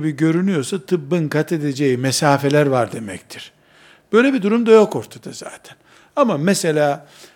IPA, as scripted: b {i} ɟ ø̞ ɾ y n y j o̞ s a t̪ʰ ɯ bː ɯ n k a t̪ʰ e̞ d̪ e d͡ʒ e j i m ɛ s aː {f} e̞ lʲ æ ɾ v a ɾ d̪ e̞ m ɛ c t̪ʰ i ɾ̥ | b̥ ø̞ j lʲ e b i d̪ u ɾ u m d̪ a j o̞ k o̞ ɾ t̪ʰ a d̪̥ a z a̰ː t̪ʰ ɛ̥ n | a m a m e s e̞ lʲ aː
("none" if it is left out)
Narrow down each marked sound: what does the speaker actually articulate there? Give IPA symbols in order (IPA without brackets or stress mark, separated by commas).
i, f